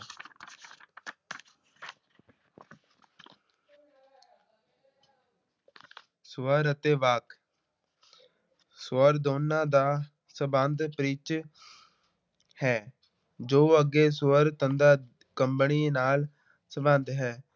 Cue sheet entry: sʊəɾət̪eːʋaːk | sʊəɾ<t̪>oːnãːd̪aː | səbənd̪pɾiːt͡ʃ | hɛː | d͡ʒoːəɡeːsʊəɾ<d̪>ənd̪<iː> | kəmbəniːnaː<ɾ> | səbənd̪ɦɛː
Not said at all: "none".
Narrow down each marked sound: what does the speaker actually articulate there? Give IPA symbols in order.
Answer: d̪, t̪, aː, l

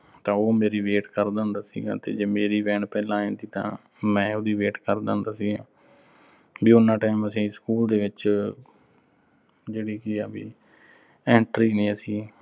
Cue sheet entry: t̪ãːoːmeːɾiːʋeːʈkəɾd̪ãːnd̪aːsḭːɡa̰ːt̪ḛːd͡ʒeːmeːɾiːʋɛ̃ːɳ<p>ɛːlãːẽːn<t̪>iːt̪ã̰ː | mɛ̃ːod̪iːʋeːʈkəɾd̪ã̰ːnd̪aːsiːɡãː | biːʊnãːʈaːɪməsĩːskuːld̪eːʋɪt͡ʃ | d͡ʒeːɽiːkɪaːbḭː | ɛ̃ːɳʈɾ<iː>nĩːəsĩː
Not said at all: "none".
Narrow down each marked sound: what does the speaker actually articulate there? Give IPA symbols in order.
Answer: p, d̪, iː

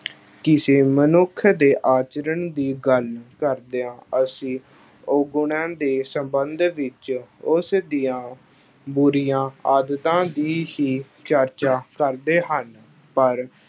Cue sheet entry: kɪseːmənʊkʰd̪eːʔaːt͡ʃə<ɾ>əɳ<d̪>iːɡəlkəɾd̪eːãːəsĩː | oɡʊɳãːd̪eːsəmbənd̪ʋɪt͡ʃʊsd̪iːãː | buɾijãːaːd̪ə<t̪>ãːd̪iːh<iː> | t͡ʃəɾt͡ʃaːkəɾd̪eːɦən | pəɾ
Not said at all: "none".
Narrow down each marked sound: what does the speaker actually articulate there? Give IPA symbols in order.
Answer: ɾ, d̪, t̪, iː

